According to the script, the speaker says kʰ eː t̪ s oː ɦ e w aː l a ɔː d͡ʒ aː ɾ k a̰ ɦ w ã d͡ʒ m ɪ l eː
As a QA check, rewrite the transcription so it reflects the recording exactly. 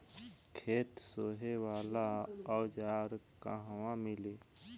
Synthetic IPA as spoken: kʰ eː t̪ s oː ɦ e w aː l a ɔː d͡ʒ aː ɾ k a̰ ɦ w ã m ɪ l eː